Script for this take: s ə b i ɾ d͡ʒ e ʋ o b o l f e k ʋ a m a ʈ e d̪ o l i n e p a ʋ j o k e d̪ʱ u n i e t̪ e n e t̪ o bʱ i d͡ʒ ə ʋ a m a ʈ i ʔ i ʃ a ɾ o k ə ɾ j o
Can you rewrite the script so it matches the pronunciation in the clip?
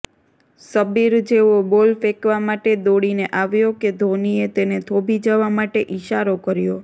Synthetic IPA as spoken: s ə b i ɾ d͡ʒ e ʋ o b o l f e k ʋ a m a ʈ e d̪ o ɽ i n e ʔ a ʋ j o k e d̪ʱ o n i e t̪ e n e t̪ʰ o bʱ i d͡ʒ ə ʋ a m a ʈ e ʔ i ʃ a ɾ o k ə ɾ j o